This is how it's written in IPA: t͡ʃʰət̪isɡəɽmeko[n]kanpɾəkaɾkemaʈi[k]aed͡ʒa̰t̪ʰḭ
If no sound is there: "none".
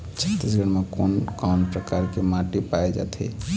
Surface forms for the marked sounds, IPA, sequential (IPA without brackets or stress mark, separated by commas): n, p